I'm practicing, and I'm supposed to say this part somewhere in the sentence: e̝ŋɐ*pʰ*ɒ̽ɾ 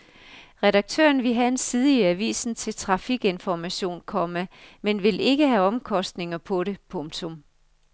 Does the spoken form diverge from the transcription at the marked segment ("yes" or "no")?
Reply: no